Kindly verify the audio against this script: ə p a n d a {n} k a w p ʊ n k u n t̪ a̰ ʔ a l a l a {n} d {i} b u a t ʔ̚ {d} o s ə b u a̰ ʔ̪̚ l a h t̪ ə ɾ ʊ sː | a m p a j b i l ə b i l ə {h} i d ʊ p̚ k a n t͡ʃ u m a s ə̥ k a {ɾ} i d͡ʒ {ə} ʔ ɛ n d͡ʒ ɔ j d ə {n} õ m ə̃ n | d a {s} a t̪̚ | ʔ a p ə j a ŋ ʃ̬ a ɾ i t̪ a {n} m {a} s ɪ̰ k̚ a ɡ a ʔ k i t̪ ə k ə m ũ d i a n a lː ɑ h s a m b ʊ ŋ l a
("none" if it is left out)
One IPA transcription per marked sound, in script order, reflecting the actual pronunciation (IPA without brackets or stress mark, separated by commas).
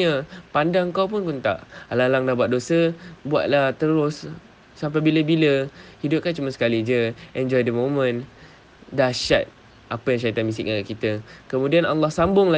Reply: ŋ, ŋ, a, d, h, l, ə, m, ʃ, n, i